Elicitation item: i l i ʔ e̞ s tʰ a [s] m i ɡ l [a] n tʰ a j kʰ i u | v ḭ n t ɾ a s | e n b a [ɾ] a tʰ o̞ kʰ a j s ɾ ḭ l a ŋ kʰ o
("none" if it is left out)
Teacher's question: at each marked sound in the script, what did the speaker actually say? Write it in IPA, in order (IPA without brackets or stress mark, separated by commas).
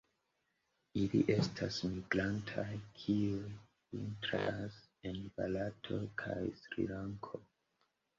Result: s, a, l